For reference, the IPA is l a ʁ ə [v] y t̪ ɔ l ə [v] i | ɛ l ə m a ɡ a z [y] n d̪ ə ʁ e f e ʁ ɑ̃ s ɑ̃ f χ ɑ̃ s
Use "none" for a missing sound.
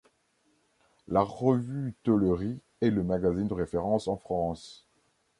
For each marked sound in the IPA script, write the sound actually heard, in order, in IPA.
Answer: v, ʁ, i

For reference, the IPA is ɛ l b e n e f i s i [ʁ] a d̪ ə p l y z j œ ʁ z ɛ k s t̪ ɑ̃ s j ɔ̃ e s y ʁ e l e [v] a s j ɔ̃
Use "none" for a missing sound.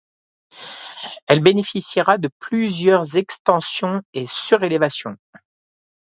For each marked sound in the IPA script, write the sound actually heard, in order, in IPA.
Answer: ʁ, v

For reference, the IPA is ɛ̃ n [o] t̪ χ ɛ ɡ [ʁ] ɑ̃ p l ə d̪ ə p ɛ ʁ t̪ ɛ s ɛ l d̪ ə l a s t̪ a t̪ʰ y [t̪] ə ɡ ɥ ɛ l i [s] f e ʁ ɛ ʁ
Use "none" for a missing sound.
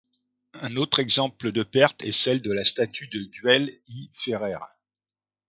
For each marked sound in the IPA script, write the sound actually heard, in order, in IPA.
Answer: o, z, d̪, none

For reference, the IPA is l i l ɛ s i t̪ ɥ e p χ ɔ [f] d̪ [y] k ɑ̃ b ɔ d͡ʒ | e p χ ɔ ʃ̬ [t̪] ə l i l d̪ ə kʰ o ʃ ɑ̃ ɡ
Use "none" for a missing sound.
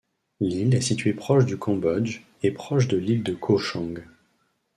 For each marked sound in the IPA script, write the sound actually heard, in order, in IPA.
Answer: ʃ, y, d̪

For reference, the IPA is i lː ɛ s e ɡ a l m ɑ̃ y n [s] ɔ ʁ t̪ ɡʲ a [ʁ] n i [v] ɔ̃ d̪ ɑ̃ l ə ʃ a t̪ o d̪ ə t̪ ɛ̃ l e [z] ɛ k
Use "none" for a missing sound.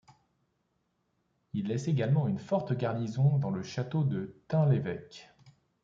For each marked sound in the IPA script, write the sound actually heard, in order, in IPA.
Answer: f, ʁ, z, v

